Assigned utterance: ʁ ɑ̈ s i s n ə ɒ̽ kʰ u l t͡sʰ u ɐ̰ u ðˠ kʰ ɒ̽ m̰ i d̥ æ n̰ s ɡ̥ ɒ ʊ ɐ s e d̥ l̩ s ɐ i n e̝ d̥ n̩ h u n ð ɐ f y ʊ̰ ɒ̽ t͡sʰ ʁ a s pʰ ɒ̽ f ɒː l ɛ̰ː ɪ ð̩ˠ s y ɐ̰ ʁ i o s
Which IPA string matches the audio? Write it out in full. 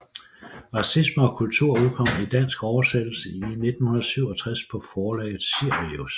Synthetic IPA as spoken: ʁ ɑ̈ s i s m ə ɒ̽ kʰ u l t͡sʰ u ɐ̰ u ðˠ kʰ ɒ̽ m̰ i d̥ æ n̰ s ɡ̥ ɒ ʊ ɐ s e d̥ l̩ s ə i n e̝ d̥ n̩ h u n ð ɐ s y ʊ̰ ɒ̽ t͡sʰ ʁ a s pʰ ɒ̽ f ɒː l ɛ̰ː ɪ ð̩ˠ s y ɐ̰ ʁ i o s